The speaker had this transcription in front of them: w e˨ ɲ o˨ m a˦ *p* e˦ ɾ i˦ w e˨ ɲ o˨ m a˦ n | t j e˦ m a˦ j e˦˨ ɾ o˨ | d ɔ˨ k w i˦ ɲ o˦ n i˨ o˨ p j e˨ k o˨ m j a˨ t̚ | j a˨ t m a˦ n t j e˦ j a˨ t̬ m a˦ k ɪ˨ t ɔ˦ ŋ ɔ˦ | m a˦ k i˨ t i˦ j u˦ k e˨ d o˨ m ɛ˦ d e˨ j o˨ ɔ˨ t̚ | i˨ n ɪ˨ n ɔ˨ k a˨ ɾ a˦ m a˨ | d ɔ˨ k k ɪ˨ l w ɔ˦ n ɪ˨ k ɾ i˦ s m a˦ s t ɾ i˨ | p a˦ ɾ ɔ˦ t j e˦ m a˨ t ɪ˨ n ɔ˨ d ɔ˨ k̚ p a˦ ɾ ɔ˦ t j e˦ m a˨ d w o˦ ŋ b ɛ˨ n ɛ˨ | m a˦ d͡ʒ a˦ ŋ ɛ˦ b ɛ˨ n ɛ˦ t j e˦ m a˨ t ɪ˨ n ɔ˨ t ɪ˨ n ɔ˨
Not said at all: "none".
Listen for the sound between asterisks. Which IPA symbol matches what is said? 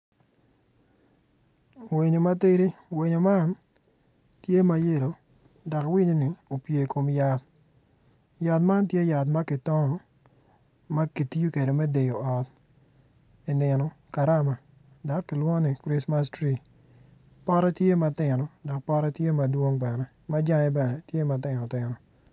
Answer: t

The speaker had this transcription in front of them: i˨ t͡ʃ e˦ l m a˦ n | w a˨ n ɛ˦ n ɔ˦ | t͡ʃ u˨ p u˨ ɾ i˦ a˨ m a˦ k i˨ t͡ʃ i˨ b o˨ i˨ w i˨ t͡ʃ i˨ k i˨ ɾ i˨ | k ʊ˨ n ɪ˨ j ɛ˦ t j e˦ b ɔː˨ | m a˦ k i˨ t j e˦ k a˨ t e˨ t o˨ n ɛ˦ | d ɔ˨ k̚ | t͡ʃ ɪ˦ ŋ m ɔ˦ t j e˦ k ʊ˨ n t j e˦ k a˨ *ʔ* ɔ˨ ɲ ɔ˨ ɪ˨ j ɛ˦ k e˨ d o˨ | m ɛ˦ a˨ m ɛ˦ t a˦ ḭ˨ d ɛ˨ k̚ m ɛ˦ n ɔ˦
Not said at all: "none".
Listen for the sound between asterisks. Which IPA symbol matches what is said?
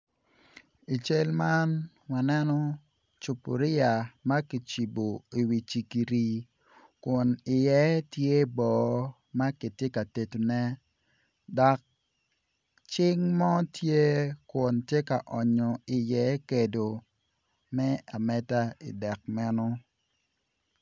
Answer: ʔ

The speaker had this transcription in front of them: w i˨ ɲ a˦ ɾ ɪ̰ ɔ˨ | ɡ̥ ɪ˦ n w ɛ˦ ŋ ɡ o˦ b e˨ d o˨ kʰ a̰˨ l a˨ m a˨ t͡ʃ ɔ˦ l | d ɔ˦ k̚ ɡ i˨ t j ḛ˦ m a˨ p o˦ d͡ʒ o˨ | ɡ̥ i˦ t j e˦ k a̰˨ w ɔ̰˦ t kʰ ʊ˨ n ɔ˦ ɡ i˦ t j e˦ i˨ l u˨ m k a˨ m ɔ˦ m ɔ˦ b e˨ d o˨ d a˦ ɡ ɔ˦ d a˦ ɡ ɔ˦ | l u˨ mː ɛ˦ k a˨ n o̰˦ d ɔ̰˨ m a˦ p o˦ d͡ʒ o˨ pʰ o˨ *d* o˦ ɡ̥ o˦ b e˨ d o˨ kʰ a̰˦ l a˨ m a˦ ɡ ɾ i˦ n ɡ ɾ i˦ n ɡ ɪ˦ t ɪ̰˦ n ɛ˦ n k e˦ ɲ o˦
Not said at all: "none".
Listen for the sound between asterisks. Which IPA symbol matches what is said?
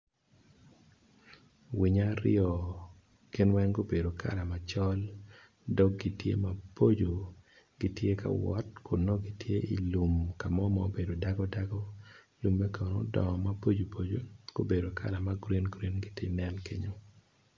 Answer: d͡ʒ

